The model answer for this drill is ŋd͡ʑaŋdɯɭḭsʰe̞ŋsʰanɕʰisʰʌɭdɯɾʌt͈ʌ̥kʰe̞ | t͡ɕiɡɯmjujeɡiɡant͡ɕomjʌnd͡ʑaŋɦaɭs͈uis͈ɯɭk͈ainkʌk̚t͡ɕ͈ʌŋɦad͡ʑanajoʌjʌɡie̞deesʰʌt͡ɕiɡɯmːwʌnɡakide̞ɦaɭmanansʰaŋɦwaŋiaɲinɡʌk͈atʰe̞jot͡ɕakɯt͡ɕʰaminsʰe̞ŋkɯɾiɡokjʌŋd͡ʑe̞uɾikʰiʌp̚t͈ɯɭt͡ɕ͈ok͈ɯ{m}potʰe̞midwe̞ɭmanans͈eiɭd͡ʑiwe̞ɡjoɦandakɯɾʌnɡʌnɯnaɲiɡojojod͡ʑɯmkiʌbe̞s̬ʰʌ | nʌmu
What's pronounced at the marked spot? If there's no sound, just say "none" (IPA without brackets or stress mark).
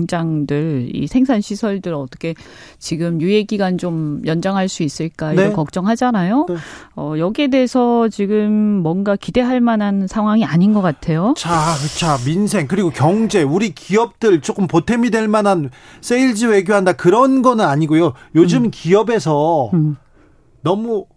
m